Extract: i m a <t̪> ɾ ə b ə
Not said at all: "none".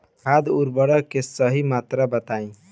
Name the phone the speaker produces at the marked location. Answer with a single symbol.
t̪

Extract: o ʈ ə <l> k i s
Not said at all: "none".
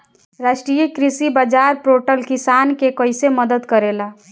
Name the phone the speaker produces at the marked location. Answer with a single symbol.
l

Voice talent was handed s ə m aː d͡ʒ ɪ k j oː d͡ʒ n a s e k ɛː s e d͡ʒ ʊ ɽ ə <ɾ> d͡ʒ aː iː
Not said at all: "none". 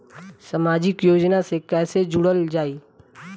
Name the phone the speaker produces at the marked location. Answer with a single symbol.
l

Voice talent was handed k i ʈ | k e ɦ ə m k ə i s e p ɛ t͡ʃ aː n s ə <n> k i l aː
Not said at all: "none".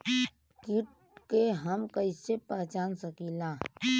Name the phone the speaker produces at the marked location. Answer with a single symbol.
none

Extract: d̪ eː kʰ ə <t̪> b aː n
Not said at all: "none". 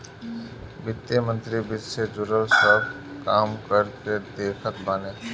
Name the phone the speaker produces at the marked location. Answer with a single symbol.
t̪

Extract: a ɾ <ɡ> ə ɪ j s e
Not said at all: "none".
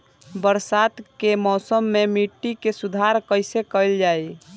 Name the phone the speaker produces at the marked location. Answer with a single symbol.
k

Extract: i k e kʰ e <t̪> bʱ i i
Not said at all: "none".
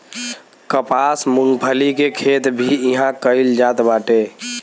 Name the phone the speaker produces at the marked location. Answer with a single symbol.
t̪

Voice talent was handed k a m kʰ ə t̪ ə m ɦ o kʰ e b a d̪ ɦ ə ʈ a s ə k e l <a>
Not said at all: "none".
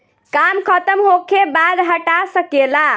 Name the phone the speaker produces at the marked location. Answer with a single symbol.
a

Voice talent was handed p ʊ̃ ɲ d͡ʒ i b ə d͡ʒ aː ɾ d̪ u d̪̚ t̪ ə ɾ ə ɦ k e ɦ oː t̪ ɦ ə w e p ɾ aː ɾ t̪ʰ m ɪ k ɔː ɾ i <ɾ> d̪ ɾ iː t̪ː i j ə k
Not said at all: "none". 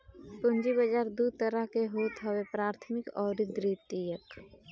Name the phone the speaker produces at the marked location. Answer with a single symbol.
none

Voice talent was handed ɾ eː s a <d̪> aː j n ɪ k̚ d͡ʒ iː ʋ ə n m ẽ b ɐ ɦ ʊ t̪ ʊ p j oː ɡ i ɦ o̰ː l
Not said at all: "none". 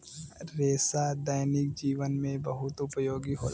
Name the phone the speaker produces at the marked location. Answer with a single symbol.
d̪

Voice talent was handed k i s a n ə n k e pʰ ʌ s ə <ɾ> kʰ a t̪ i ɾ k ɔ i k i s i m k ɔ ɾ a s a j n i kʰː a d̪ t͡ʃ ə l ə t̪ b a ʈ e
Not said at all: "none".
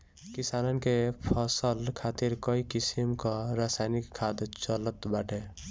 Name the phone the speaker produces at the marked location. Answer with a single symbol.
l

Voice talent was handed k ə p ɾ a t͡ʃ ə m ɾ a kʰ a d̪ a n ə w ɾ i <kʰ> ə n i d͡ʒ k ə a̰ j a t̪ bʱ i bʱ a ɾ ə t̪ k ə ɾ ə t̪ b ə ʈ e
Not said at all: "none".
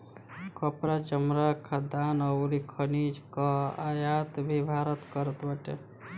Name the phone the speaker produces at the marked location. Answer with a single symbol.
kʰ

